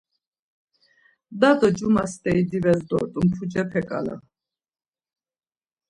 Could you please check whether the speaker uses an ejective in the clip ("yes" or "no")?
yes